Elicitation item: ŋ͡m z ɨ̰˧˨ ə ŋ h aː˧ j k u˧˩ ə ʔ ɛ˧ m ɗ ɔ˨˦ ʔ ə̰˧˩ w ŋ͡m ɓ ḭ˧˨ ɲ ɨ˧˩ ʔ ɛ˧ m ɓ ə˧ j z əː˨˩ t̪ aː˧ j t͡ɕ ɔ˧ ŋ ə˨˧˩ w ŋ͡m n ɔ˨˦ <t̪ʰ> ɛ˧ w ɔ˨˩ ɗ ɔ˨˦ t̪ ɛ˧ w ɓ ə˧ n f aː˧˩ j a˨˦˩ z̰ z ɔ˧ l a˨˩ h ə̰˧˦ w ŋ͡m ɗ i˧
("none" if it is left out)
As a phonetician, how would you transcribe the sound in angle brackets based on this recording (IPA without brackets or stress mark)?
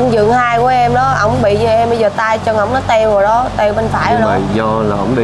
t̪